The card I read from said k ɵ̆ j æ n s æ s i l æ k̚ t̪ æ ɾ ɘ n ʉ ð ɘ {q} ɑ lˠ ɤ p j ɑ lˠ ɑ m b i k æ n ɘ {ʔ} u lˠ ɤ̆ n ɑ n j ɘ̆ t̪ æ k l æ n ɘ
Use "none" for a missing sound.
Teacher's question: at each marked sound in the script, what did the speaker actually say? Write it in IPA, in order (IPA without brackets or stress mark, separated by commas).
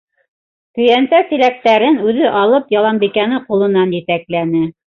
ʔ, q